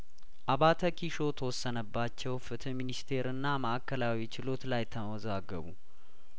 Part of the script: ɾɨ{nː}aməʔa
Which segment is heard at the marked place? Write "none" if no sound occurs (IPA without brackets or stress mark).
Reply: nː